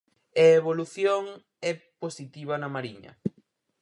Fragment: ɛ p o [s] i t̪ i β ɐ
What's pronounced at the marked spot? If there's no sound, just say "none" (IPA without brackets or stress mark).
s